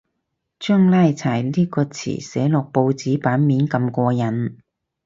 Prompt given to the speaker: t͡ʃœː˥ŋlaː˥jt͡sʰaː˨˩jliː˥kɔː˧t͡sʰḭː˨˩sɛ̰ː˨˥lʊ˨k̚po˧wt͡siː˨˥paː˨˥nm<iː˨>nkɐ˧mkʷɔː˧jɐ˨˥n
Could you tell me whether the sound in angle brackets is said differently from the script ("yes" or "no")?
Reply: yes